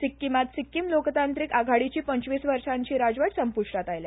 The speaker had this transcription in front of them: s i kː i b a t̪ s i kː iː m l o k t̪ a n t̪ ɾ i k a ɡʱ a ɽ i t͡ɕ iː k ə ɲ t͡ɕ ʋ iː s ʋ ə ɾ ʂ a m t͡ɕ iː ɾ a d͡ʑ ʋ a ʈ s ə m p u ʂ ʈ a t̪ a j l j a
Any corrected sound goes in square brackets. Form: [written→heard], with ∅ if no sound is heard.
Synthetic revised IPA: s i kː i [b→m] a t̪ s i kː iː m l o k t̪ a n t̪ ɾ i k a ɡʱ a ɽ i t͡ɕ iː [k→p] ə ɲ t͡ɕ ʋ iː s ʋ ə ɾ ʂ a [m→ɲ] t͡ɕ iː ɾ a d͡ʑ ʋ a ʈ s ə m p u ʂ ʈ a t̪ a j l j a